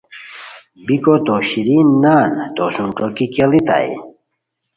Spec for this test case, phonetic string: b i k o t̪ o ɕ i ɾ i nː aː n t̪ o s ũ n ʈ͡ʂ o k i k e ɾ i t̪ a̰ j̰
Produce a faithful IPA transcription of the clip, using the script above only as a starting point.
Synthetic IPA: b i k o t̪ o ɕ i ɾ i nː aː n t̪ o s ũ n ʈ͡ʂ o k i k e l i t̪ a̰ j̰